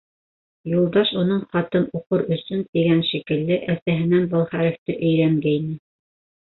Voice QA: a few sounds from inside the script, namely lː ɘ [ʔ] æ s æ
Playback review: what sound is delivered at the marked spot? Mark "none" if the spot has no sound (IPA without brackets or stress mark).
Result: ʔ